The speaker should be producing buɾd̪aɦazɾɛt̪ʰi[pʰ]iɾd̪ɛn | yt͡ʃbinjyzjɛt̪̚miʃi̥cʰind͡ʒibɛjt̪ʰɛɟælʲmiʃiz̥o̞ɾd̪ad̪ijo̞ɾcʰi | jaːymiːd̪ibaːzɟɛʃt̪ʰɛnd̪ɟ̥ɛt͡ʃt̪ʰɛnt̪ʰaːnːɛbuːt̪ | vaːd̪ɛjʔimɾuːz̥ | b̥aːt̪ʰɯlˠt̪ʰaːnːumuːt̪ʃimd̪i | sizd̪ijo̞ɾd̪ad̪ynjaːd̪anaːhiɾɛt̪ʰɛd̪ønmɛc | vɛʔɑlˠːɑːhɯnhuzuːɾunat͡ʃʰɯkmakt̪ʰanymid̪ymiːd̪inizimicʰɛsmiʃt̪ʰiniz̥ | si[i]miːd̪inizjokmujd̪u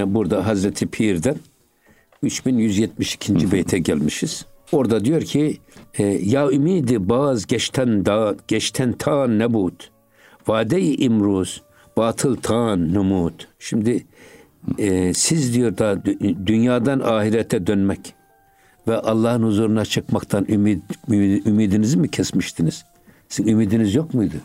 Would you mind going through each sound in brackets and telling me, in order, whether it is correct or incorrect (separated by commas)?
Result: correct, incorrect